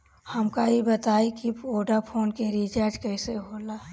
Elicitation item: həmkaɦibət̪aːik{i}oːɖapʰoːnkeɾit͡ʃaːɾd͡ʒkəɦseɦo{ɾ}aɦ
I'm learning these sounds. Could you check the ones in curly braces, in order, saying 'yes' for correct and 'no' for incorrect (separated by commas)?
yes, no